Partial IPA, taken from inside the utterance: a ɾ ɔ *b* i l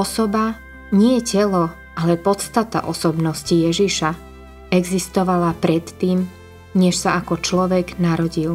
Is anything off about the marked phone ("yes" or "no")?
yes